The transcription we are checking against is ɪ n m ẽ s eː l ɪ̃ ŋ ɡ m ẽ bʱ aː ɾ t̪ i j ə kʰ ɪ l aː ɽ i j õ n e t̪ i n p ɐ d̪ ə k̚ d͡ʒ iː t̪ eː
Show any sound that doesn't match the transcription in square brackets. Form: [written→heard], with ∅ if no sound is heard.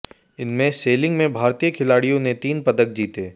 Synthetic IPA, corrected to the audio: ɪ n m ẽ s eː l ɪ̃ ŋ ɡ m ẽ bʱ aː ɾ t̪ i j ə kʰ ɪ l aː ɽ i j õ n e t̪ [i→iː] n p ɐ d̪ ə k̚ d͡ʒ iː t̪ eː